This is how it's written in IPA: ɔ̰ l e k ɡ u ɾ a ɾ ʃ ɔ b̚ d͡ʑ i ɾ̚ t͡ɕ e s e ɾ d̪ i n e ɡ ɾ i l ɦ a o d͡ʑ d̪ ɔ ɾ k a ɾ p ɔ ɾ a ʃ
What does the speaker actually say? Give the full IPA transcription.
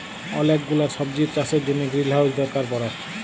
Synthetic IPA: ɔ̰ l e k ɡ u l a ɾ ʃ ɔ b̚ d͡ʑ i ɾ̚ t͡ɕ a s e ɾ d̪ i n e ɡ ɾ i l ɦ a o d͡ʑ d̪ ɔ ɾ k a ɾ p ɔ ɾ a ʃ